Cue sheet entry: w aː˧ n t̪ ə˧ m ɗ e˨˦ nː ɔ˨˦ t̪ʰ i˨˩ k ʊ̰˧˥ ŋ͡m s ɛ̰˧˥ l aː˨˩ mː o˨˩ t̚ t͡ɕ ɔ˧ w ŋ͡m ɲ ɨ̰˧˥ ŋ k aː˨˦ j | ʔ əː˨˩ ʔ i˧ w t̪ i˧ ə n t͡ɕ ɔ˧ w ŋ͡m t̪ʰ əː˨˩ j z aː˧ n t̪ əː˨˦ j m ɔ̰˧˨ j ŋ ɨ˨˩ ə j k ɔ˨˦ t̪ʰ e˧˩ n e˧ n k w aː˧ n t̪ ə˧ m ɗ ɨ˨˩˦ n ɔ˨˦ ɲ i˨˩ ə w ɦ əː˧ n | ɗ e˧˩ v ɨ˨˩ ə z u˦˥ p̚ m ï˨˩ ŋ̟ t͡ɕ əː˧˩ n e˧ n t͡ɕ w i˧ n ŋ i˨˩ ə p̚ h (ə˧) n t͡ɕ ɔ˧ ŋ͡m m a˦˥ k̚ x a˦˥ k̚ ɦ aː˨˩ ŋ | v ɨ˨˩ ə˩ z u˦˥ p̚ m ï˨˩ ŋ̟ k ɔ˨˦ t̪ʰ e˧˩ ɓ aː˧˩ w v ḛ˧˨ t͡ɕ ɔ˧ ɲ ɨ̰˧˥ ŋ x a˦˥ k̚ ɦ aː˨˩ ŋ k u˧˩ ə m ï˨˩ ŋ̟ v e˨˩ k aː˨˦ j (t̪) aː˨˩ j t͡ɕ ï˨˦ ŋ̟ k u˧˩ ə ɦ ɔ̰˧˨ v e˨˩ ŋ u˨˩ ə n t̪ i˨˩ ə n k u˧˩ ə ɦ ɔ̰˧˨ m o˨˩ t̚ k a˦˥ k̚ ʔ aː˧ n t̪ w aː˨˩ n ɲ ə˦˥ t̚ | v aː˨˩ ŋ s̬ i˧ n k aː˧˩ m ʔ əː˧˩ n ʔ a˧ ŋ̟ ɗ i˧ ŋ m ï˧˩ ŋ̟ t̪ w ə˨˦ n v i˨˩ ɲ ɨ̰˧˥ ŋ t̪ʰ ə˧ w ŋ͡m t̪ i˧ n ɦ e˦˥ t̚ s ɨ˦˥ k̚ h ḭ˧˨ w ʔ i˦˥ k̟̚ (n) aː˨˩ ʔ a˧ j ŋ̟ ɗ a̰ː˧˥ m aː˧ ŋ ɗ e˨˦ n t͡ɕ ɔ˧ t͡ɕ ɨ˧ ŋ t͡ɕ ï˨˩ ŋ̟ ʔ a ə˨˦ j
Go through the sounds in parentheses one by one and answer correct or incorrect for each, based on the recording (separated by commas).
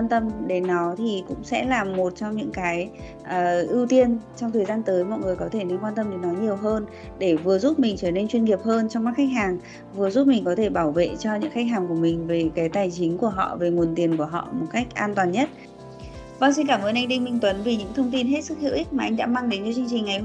incorrect, correct, incorrect